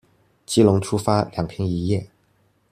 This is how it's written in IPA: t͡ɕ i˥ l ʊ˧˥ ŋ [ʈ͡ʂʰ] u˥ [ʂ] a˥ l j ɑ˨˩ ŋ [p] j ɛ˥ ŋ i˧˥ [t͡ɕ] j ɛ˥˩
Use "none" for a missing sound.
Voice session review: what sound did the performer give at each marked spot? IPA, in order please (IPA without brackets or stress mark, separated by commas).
ʈ͡ʂʰ, f, pʰ, none